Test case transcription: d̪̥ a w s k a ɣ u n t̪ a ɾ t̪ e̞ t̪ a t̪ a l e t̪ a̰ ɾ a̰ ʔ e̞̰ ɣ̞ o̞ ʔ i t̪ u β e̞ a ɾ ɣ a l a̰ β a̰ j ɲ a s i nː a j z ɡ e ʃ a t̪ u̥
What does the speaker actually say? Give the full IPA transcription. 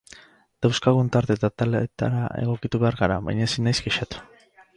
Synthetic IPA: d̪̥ a w s k a ɣ u n t̪ a ɾ t̪ e̞ t̪ a t̪ a l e t̪ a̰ ɾ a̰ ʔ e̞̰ ɣ̞ o̞ k i t̪ u β e̞ a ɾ ɣ a ɾ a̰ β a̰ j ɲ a s i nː a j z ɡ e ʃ a t̪ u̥

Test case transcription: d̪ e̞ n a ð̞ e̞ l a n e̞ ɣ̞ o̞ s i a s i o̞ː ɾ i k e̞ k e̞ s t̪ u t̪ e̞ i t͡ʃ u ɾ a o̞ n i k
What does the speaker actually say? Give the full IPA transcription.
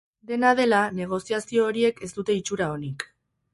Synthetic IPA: d̪ e̞ n a ð̞ e̞ l a n e̞ ɣ̞ o̞ s i a s i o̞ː ɾ i e̞ k e̞ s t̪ u t̪ e̞ i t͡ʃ u ɾ a o̞ n i k

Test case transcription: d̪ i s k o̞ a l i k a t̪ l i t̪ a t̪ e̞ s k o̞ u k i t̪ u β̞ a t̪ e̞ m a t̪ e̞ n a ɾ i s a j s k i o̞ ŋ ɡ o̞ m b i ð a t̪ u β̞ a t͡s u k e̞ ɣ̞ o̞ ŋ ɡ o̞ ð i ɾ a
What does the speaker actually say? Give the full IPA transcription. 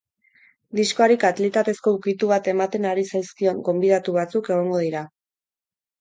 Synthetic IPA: d̪ i s k o̞ a ɾ i k a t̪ l i t̪ a t̪ e̞ s k o̞ u k i t̪ u β̞ a t̪ e̞ m a t̪ e̞ n a ɾ i s a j s k i o̞ ŋ ɡ o̞ m b i ð a t̪ u β̞ a t͡s u k e̞ ɣ̞ o̞ ŋ ɡ o̞ ð i ɾ a

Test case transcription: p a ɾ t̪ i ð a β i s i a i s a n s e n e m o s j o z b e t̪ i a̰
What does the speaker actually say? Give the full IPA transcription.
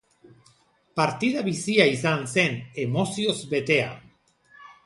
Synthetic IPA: p a ɾ t̪ i ð a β i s i a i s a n s e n e m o s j o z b e t̪ e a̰

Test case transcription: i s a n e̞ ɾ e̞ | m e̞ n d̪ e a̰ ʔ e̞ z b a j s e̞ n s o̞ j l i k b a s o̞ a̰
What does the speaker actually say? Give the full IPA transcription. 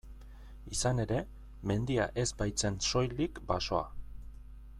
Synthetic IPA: i s a n e̞ ɾ e̞ | m e̞ n d̪ i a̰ ʔ e̞ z b a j t͡s e̞ n s o̞ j l i k b a s o̞ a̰

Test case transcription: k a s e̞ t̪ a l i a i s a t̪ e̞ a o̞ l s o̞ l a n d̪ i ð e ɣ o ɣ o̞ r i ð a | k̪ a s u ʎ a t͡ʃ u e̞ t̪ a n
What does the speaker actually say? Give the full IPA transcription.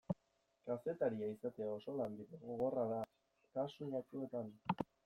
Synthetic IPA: k a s e̞ t̪ a ɾ i a i s a t̪ e̞ a o̞ s o̞ l a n d̪ i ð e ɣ o ɣ o̞ r a ð a | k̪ a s u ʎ a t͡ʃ u e̞ t̪ a n

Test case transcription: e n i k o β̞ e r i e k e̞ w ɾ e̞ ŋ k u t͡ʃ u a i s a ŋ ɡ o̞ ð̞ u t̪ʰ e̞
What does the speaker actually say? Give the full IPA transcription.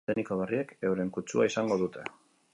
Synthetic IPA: e n i k o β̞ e r i e k e̞ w ɾ e̞ ŋ k u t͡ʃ u a i s a ŋ ɡ o̞ ð̞ u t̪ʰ e̞

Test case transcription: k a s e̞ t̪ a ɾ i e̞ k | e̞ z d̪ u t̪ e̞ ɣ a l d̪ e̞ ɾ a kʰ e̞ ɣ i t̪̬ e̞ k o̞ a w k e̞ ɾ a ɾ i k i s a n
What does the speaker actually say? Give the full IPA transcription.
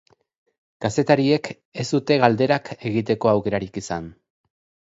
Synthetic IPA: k a s e̞ t̪ a ɾ i e̞ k | e̞ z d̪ u t̪ e̞ ɣ a l d̪ e̞ ɾ a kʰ e̞ ɣ i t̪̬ e̞ k o̞ a w k e̞ ɾ a ɾ i k i s a n

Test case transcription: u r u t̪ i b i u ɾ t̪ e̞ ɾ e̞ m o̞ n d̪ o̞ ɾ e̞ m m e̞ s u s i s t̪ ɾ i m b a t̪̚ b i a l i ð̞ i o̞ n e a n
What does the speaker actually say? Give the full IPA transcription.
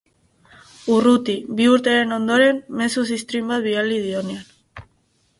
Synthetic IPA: u r u t̪ i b i u ɾ t̪ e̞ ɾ e̞ n o̞ n d̪ o̞ ɾ e̞ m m e̞ s u s i s t̪ ɾ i m b a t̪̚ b i a l i ð̞ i o̞ n e a n

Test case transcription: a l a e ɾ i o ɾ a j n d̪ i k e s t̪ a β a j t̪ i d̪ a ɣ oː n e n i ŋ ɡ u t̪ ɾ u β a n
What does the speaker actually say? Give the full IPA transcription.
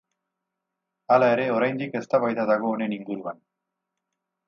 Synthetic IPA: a l a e ɾ e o ɾ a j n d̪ i k e s t̪ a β a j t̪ a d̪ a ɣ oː n e n i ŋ ɡ u ɾ u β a n

